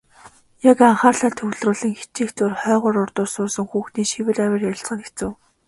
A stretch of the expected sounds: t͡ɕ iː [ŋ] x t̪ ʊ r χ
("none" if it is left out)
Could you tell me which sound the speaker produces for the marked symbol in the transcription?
none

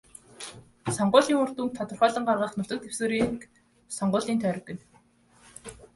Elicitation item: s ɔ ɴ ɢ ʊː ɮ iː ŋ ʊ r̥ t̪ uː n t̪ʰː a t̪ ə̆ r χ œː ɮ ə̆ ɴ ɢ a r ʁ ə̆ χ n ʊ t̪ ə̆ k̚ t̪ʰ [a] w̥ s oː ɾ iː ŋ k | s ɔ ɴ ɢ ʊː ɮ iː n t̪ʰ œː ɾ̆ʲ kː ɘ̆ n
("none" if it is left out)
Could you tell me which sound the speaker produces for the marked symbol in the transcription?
e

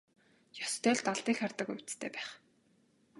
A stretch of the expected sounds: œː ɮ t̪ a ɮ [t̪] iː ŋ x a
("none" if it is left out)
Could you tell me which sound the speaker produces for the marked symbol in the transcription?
t̪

